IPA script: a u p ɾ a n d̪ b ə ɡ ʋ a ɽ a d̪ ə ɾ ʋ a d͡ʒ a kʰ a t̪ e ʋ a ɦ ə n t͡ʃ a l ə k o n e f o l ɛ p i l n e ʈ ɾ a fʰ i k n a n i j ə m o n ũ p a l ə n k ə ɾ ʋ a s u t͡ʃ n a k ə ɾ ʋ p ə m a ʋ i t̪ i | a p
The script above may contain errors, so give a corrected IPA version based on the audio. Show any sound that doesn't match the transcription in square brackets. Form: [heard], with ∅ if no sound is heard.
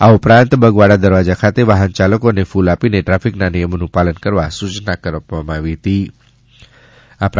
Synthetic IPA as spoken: a u p ɾ a n [t̪] b ə ɡ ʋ a ɽ a d̪ ə ɾ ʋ a d͡ʒ a kʰ a t̪ e ʋ a ɦ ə n t͡ʃ a l ə k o n e f [u] l [a] p i [∅] n e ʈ ɾ a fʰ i k n a n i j ə m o n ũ p a l ə n k ə ɾ ʋ a s u t͡ʃ n a k ə ɾ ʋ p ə m a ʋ i t̪ i | a p